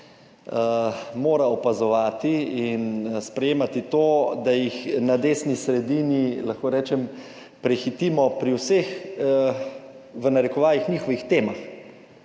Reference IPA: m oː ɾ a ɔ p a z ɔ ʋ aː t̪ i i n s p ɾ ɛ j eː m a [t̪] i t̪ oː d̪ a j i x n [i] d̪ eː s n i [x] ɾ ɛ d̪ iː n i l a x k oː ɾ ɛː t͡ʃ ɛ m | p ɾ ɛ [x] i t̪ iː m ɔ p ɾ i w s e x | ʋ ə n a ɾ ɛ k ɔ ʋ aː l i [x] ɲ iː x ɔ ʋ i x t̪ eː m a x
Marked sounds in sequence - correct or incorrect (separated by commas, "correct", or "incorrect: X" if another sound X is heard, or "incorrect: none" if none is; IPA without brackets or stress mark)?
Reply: correct, incorrect: a, incorrect: s, correct, correct